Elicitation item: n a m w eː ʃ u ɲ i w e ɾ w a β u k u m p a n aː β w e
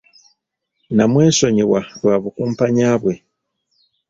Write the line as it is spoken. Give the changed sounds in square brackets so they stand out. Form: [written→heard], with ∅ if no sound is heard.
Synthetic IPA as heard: n a m w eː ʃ [u→o] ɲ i w [e→a] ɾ w a β u k u m p a [n→ɲ] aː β w e